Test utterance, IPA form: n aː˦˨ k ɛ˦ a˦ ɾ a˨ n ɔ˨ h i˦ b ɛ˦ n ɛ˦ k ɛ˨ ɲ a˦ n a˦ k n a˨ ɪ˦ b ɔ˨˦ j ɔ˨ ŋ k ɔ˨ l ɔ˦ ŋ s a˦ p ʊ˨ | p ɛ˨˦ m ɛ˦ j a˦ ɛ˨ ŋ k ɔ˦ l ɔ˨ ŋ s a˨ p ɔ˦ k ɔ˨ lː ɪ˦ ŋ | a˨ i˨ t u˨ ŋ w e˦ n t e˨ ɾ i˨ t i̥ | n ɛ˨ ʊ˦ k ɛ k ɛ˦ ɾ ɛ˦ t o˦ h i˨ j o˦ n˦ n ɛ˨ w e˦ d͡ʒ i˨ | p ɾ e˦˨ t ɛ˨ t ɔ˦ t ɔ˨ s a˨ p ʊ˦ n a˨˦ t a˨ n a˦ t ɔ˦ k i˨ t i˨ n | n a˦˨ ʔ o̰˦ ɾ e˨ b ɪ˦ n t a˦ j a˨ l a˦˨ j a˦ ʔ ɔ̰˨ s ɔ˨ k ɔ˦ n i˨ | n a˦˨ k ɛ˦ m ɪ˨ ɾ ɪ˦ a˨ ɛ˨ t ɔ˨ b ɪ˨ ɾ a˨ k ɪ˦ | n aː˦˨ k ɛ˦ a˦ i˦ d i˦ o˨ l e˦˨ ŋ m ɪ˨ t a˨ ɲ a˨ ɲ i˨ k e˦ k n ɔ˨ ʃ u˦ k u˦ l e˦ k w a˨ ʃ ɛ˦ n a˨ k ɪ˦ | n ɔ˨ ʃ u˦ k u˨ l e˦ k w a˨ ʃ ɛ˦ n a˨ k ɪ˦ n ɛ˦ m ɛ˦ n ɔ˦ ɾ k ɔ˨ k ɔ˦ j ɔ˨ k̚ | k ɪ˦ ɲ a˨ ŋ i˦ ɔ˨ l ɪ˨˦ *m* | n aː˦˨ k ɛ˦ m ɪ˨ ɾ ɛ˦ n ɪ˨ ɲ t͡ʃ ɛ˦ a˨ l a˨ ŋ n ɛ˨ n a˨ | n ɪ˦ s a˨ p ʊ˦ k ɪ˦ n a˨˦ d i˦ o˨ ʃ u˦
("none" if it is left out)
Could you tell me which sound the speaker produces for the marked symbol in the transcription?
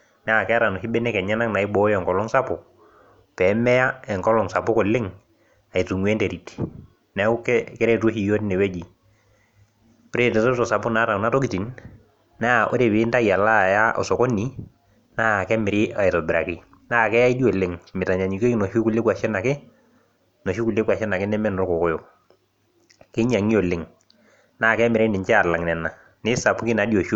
ŋ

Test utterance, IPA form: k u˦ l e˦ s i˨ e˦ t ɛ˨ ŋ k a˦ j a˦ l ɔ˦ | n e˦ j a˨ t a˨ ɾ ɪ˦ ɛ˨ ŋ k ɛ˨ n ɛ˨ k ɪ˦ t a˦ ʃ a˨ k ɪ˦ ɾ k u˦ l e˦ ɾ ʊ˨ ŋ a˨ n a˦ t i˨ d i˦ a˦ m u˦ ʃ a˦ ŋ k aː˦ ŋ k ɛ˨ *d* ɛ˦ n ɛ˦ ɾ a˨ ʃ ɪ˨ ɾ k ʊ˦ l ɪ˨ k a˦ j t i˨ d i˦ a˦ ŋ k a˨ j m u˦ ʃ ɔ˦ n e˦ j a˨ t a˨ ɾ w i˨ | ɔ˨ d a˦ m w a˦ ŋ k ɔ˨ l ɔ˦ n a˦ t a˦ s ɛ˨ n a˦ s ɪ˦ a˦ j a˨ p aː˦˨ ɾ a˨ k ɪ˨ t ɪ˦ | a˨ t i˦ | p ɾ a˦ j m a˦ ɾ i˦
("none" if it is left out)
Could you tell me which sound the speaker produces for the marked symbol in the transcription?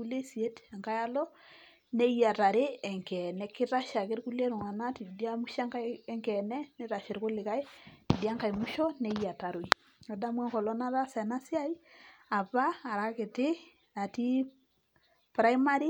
n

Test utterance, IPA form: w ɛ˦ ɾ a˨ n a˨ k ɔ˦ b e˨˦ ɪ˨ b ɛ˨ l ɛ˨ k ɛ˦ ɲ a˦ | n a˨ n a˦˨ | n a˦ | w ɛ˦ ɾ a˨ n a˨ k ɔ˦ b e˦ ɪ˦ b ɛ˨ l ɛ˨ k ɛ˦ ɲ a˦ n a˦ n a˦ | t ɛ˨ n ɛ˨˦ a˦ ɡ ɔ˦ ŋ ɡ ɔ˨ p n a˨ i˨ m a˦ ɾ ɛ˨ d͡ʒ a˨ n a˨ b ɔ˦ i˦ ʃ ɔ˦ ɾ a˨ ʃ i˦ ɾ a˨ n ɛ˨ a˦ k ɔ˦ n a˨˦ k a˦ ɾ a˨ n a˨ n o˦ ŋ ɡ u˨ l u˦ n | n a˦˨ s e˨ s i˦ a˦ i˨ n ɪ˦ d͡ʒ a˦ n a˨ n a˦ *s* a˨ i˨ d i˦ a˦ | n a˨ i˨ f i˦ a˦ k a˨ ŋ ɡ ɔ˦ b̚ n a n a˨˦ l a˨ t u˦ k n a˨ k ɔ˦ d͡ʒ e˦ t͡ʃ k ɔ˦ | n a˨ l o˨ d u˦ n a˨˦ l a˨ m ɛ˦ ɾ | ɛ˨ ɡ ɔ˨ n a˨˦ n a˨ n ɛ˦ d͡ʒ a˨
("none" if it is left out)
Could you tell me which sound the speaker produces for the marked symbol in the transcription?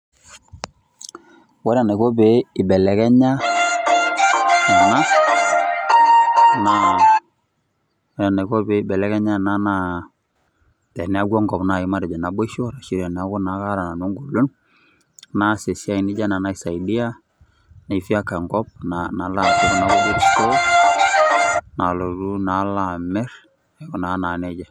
s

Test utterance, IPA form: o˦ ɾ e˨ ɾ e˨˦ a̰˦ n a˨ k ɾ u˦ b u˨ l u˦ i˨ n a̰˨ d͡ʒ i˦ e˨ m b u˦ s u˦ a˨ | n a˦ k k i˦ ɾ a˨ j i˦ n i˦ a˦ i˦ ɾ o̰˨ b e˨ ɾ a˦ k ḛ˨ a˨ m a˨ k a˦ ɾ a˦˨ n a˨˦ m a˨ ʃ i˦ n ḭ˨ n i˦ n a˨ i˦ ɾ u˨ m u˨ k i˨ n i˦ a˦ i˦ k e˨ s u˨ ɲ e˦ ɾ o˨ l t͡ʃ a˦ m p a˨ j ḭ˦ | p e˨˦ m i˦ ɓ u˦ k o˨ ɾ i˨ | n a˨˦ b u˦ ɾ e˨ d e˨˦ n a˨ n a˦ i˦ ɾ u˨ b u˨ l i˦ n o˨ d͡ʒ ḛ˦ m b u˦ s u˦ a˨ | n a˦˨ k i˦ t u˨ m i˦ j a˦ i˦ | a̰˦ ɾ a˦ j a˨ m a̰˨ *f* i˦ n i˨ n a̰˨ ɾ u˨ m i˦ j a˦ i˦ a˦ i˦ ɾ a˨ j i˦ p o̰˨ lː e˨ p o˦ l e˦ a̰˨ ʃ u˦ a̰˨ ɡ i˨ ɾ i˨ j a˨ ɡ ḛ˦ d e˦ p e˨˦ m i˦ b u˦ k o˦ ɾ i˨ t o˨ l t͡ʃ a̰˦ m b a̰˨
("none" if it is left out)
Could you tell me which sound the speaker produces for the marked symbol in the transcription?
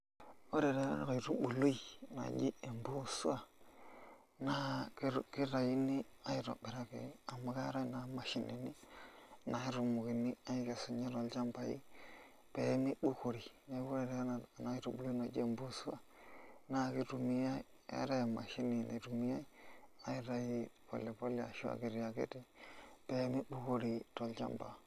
ʃ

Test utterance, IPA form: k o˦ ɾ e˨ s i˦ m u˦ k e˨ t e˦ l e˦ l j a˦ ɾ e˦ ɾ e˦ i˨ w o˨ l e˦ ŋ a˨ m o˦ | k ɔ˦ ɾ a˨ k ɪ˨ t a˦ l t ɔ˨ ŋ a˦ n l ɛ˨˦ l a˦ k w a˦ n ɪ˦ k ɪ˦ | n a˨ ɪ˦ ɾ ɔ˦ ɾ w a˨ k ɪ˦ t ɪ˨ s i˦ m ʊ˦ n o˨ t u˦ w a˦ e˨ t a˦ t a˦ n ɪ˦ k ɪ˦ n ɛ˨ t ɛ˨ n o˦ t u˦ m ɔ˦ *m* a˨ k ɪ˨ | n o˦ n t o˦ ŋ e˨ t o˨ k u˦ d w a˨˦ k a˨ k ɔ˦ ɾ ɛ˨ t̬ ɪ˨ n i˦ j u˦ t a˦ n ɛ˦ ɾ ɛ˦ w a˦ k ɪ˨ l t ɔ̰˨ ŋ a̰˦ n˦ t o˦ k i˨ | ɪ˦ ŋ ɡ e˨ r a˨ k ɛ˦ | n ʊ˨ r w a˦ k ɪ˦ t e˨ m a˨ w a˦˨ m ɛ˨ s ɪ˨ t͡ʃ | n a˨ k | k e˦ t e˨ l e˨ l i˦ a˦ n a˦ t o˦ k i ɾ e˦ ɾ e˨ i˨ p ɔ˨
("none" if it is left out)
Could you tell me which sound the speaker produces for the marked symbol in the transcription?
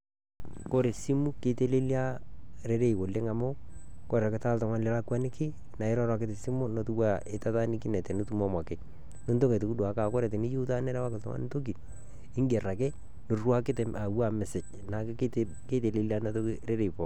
m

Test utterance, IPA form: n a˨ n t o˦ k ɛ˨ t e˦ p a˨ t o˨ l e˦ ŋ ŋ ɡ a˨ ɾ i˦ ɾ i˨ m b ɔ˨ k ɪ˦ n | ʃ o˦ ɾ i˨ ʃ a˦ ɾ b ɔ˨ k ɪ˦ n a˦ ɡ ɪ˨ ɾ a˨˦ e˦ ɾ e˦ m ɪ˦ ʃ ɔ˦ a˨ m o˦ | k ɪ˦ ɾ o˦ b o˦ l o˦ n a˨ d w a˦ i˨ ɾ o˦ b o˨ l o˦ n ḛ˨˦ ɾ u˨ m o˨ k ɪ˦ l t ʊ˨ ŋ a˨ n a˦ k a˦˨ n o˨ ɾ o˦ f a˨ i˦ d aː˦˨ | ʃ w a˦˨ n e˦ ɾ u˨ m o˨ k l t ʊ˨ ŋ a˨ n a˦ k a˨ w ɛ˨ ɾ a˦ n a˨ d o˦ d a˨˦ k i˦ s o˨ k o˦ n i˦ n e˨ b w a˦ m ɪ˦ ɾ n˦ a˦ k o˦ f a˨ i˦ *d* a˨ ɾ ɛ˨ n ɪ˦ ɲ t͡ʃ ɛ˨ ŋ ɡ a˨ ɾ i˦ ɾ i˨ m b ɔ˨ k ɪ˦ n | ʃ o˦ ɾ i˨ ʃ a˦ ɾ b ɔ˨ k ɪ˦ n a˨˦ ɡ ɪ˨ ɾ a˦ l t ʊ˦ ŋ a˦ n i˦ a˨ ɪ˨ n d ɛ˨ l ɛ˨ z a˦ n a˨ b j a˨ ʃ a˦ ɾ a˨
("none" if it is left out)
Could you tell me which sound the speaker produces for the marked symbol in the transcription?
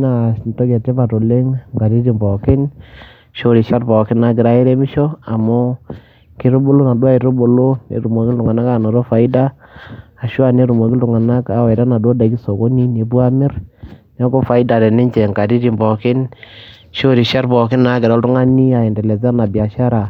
d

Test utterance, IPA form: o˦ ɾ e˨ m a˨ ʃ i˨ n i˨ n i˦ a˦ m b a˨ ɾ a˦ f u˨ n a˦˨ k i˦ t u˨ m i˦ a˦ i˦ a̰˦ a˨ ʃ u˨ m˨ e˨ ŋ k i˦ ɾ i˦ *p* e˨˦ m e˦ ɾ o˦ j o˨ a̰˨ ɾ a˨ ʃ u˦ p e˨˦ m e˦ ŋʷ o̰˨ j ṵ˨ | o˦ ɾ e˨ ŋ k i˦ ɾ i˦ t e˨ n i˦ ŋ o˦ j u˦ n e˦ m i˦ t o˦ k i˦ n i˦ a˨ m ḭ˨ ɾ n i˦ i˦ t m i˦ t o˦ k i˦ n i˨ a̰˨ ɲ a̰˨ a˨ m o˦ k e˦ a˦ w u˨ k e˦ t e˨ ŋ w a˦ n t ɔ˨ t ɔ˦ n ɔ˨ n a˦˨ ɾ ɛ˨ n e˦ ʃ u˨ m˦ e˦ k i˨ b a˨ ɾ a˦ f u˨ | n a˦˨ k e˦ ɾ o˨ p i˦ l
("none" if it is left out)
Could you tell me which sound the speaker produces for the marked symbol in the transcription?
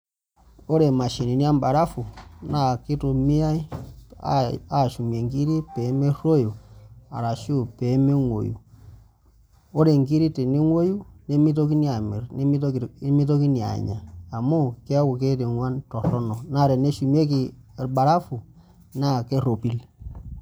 p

